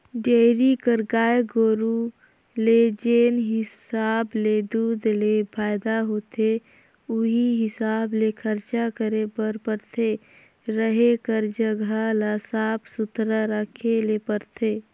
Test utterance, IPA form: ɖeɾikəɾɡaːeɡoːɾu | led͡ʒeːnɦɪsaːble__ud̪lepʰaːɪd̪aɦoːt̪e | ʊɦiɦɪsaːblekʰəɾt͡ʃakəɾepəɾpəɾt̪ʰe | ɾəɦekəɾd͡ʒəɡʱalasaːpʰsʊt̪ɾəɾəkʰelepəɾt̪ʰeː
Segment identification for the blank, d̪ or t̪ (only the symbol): d̪